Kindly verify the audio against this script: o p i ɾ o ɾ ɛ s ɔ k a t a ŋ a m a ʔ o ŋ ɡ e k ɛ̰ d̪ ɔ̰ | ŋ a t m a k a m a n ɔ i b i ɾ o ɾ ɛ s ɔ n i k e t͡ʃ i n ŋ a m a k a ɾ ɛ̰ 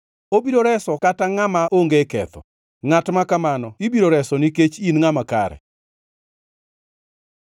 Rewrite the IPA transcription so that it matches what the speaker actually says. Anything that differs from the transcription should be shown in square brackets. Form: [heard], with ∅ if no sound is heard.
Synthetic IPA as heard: o [b] i ɾ o ɾ ɛ s ɔ k a t a ŋ a m a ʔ o ŋ ɡ e k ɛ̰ [t̪] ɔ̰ | ŋ a t m a k a m a n ɔ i b i ɾ o ɾ ɛ s ɔ n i k e t͡ʃ i n ŋ a m a k a ɾ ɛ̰